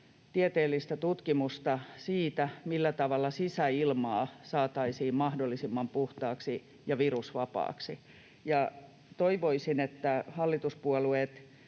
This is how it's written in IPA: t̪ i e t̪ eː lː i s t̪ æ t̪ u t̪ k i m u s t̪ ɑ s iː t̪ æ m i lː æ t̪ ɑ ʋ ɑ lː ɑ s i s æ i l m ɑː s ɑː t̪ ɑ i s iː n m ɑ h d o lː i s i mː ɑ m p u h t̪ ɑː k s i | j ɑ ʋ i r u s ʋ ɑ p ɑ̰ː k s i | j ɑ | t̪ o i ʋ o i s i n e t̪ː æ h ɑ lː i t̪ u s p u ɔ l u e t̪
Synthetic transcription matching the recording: t̪ i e t̪ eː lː i s t̪ æ t̪ u t̪ k i m u s t̪ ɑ s iː t̪ æ m i lː æ t̪ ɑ ʋ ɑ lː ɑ s i s æ i l m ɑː s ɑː t̪ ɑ i s iː m m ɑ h d o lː i s i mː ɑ m p u h t̪ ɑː k s i | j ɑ ʋ i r u s ʋ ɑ p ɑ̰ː k s i | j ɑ | t̪ o i ʋ o i s i n e t̪ː æ h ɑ lː i t̪ u s p u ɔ l u e t̪

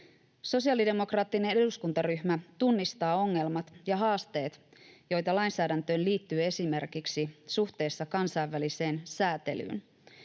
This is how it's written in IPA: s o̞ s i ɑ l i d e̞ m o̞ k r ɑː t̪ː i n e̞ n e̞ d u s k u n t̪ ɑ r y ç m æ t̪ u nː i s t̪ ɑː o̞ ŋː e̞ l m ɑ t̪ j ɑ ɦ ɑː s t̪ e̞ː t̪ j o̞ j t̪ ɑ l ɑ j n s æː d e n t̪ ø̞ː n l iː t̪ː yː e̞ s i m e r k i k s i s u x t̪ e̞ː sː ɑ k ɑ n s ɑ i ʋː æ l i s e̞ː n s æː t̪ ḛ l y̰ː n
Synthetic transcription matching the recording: s o̞ s i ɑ l i d e̞ m o̞ k r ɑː t̪ː i n e̞ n e̞ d u s k u n t̪ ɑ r y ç m æ t̪ u nː i s t̪ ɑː o̞ ŋː e̞ l m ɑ t̪ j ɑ ɦ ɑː s t̪ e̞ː t̪ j o̞ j t̪ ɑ l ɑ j n s æː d æ n t̪ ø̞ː n l iː t̪ː yː e̞ s i m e r k i k s i s u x t̪ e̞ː sː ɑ k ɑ n s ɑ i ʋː æ l i s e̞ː n s æː t̪ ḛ l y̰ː n

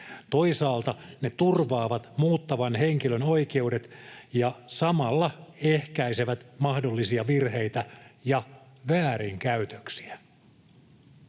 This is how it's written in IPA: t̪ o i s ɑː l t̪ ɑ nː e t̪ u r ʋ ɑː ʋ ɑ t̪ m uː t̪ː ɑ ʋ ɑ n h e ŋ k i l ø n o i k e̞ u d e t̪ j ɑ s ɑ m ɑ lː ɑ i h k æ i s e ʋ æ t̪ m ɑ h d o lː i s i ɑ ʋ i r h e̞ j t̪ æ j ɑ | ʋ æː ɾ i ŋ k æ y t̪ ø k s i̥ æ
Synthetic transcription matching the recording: t̪ o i s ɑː l t̪ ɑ n e t̪ u r ʋ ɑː ʋ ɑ t̪ m uː t̪ː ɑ ʋ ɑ n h e ŋ k i l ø n o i k e̞ u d e t̪ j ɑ s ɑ m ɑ lː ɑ e h k æ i s e ʋ æ t̪ m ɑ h d o lː i s i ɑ ʋ i r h e̞ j t̪ æ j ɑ | ʋ æː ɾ i ŋ k æ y t̪ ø k s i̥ æ

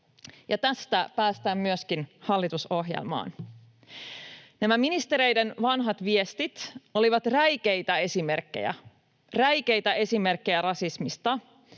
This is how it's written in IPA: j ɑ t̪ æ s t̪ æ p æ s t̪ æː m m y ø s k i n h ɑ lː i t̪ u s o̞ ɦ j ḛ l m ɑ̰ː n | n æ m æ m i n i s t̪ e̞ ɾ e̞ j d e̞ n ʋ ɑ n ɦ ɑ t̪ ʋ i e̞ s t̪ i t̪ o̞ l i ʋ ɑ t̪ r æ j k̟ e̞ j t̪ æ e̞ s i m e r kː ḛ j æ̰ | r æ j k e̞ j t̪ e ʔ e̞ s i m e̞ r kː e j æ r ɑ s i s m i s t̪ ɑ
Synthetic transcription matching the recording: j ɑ t̪ æ s t̪ æ p æː s t̪ æː m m y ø s k i n h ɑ lː i t̪ u s o̞ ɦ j ḛ l m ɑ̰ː n | n æ m æ m i n i s t̪ e̞ ɾ e̞ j d e̞ n ʋ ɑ n ɦ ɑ t̪ ʋ i e̞ s t̪ i t̪ o̞ l i ʋ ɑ t̪ r æ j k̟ e̞ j t̪ æ e̞ s i m e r kː ḛ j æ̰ | r æ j k e̞ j t̪ æ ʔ e̞ s i m e̞ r kː e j æ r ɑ s i s m i s t̪ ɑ

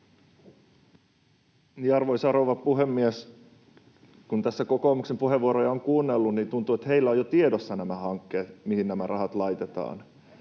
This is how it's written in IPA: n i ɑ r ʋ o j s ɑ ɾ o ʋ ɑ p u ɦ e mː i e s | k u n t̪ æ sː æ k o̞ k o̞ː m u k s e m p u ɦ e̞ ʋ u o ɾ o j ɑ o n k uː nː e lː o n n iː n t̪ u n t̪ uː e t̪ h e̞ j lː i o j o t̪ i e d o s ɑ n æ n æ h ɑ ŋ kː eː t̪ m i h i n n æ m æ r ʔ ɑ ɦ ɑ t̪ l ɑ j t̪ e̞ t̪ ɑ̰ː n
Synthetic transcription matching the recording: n i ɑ r ʋ o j s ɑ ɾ o ʋ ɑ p u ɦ e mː i e s | k u n t̪ æ sː æ k o̞ k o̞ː m u k s e m p u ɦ e̞ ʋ u o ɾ o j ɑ o ŋ k uː nː e lː u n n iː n t̪ u n t̪ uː e t̪ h e̞ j lː æ o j o t̪ i e d o sː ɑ n æ m æ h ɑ ŋ kː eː t̪ m i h i n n æ m æ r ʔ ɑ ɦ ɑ t̪ l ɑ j t̪ e̞ t̪ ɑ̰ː n

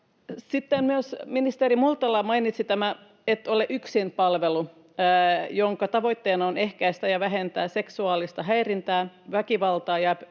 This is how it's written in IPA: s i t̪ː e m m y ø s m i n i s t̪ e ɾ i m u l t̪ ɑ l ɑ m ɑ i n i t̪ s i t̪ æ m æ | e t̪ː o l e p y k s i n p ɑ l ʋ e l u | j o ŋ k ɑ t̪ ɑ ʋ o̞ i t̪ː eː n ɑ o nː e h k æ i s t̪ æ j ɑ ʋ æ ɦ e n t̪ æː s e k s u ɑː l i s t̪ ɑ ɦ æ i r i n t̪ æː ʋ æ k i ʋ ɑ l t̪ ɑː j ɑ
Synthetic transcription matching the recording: s i t̪ː e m m y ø s m i n i s t̪ e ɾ i m u l t̪ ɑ l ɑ m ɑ i n i t̪ s i t̪ æ m æ | e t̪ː o l e ʔ y k s i n p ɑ l ʋ e l u | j o ŋ k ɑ t̪ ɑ ʋ o̞ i t̪ː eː n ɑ o n e h k æ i s t̪ æ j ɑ ʋ æ ɦ e n t̪ æː s e k s u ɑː l i s t̪ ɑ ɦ æ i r i n t̪ æː ʋ æ k i ʋ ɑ l t̪ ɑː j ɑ

